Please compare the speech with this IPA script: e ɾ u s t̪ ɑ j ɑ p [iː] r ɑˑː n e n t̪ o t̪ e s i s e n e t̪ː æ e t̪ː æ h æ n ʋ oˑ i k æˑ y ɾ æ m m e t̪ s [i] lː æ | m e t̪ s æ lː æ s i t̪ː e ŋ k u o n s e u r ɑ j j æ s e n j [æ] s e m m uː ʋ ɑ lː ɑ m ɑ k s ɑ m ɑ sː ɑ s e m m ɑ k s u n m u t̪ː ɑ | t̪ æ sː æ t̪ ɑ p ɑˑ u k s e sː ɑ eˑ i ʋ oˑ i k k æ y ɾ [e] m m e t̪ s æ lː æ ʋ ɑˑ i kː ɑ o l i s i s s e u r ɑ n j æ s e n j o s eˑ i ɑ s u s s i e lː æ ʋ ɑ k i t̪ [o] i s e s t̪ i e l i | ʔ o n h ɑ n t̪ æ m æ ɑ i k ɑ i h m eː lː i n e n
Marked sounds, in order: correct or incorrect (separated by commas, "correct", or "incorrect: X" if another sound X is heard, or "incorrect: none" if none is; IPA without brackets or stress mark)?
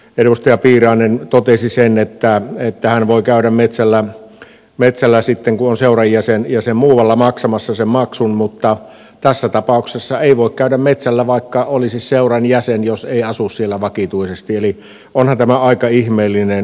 correct, incorrect: æ, correct, incorrect: æ, incorrect: u